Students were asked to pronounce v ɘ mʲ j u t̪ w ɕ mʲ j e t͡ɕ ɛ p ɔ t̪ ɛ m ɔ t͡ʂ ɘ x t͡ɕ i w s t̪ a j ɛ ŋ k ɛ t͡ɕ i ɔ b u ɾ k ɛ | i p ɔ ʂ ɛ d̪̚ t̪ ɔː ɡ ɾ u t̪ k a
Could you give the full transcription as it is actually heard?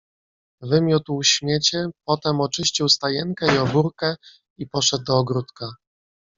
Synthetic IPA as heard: v ɘ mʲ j u t̪ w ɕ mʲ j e t͡ɕ ɛ p ɔ t̪ ɛ m ɔ t͡ʂ ɘ ɕ t͡ɕ i w s t̪ a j ɛ ŋ k ɛ i ɔ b u ɾ k ɛ | i p ɔ ʂ ɛ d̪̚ d̪ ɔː ɡ ɾ u t̪ k a